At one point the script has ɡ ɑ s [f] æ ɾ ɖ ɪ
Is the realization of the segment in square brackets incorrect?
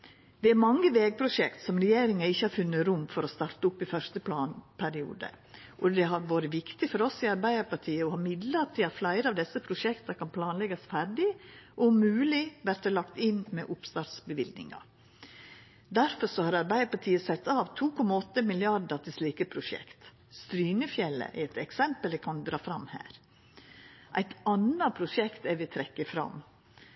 no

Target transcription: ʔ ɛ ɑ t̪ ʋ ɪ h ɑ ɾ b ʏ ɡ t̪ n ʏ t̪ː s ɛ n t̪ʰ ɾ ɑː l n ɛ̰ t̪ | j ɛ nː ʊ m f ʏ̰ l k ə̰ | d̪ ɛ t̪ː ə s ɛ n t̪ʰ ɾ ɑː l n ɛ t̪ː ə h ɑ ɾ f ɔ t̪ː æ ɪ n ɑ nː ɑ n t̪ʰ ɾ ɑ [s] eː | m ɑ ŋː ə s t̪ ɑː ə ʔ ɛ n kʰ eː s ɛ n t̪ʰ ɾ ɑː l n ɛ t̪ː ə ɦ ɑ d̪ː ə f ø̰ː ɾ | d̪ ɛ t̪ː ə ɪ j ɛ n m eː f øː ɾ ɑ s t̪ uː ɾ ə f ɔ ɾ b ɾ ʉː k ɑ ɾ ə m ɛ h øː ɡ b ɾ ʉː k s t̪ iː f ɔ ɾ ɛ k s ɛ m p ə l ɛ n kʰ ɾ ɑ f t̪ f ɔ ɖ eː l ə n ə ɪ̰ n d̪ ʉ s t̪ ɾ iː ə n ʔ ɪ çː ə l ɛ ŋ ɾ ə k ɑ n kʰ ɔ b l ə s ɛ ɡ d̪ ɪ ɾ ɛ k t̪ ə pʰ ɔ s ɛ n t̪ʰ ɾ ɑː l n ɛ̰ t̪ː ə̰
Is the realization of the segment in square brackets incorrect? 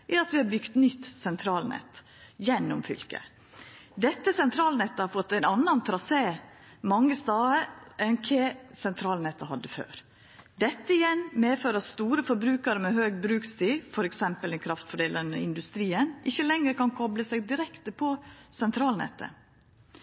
no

